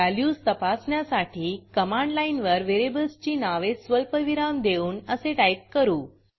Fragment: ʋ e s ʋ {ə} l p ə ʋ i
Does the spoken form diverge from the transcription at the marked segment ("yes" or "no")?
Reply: no